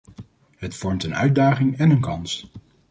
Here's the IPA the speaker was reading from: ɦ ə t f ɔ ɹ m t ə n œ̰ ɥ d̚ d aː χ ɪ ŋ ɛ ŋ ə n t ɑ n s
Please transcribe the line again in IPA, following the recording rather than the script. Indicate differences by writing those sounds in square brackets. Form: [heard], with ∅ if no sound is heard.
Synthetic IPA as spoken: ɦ ə t f ɔ ɹ m t ə n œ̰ ɥ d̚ d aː χ ɪ ŋ ɛ [n] ə n [k] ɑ n s